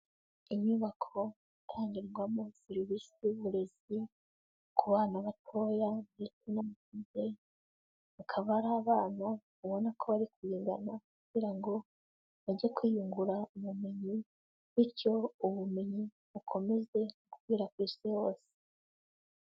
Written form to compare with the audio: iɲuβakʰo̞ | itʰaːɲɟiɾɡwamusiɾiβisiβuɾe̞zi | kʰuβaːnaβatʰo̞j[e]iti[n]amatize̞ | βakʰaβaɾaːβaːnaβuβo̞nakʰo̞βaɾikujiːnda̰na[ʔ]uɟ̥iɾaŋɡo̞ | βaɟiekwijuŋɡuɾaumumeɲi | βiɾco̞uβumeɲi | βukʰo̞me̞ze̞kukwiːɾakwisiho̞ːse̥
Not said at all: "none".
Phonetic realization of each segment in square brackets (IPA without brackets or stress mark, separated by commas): a, n, k